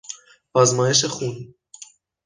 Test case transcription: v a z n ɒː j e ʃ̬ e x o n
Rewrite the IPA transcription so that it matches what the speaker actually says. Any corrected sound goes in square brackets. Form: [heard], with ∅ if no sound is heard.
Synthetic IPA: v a z [m] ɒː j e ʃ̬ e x [u] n